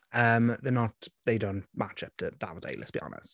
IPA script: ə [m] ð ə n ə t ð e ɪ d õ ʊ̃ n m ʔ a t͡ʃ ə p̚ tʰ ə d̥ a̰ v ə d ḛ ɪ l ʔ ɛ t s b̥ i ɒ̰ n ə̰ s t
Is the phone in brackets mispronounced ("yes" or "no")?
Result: no